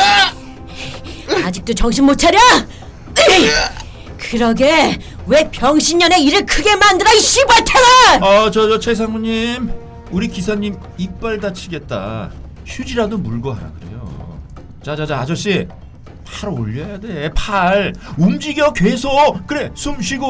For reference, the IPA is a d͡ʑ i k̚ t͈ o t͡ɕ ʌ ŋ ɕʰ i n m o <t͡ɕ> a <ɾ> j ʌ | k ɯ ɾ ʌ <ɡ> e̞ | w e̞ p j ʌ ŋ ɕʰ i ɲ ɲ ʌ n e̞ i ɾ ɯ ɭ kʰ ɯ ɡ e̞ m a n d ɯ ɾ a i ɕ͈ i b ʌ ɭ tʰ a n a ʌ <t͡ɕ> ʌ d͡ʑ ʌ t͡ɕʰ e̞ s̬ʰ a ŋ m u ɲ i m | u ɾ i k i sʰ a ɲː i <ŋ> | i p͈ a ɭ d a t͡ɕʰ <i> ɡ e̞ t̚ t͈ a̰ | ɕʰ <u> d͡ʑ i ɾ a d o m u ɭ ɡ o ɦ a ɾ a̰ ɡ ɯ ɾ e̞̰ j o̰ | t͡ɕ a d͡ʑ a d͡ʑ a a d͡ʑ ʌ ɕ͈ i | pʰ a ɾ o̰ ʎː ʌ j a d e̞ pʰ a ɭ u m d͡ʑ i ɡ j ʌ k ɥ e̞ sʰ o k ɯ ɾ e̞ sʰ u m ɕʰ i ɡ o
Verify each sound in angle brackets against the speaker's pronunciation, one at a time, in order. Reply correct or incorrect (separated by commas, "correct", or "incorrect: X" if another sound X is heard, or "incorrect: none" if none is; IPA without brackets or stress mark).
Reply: incorrect: t͡ɕʰ, correct, correct, correct, incorrect: m, correct, correct